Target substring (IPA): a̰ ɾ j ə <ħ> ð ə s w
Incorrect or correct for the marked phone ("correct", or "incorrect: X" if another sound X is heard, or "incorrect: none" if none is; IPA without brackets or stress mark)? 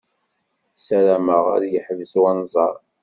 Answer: correct